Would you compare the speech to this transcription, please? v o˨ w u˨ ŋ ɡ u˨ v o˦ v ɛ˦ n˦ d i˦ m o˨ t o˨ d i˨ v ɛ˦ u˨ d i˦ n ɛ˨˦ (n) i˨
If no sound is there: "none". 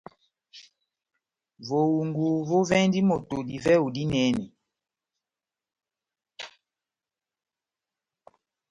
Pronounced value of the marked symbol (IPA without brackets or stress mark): n